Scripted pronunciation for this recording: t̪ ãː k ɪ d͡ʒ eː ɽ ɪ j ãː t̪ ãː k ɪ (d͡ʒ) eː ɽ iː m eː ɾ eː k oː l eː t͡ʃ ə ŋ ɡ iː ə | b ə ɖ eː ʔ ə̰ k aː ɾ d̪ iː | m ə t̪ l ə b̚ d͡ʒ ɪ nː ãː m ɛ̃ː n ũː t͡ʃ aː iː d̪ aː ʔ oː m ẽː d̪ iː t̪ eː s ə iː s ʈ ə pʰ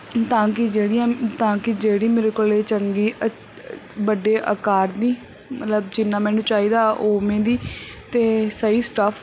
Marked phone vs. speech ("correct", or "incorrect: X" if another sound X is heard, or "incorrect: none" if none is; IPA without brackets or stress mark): correct